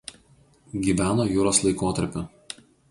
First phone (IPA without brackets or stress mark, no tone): ɡʲ